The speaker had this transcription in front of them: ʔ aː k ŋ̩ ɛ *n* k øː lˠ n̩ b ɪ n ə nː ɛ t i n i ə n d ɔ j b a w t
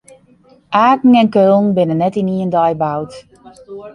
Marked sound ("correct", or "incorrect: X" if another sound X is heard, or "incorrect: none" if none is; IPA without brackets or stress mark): correct